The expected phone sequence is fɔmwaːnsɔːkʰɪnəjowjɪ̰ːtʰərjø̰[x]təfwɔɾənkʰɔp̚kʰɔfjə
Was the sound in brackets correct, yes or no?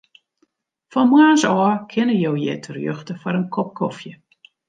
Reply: yes